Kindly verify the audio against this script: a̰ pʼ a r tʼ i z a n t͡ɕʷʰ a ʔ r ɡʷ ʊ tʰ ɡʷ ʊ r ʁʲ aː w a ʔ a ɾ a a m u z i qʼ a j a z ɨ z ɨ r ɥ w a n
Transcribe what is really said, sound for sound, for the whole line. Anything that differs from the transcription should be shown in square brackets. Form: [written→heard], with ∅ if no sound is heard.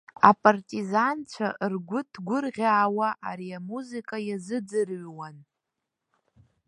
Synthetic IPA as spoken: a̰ pʼ a r tʼ i z a n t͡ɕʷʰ a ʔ r ɡʷ ʊ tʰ ɡʷ ʊ r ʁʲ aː w a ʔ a ɾ [a→i] a m u z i [qʼ→kʼ] a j a z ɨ [z→d͡z] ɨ r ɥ w a n